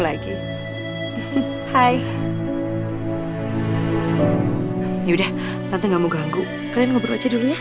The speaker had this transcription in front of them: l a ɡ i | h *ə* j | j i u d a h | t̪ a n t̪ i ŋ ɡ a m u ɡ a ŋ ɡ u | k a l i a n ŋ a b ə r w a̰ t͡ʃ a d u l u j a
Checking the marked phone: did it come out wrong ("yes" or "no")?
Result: yes